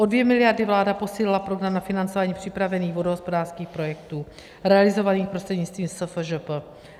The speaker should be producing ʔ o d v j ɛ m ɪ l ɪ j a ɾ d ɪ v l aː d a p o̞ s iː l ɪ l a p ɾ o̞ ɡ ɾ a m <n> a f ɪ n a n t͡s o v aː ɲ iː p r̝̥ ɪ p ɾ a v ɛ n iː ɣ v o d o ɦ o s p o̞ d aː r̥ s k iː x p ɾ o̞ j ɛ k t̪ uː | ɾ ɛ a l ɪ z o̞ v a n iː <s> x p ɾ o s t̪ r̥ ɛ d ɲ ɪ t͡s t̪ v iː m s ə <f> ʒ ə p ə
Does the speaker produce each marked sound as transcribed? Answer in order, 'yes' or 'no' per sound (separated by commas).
yes, no, yes